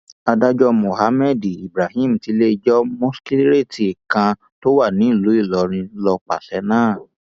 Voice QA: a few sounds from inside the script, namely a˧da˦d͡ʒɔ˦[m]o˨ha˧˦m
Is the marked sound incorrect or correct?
correct